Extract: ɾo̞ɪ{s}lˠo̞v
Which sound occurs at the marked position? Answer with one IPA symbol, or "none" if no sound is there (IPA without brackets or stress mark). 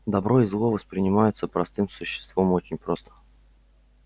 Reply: z